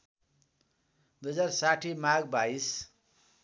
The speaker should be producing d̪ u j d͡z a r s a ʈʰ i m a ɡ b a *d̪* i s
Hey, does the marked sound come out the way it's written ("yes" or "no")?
no